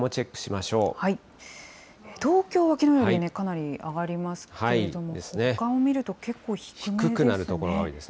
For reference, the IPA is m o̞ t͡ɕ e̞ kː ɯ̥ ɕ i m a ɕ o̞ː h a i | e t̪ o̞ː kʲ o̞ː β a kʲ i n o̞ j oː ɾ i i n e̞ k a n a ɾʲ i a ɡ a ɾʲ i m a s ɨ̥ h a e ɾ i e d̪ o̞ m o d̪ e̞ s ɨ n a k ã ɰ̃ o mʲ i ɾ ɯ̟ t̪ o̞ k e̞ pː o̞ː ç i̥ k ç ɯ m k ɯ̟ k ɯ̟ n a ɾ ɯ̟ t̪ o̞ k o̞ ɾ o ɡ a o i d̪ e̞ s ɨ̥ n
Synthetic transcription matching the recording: m o̞ t͡ɕ e̞ kː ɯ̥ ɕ i m a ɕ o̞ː h a i | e t̪ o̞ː kʲ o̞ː β a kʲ i n o̞ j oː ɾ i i n e̞ k a n a ɾʲ i a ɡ a ɾʲ i m a s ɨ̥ h a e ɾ i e d̪ o̞ m o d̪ e̞ s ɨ n e k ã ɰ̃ o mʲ i ɾ ɯ̟ t̪ o̞ k e̞ kː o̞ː ç i̥ k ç ɯ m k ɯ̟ k ɯ̟ n a ɾ ɯ̟ t̪ o̞ k o̞ ɾ o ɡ a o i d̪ e̞ s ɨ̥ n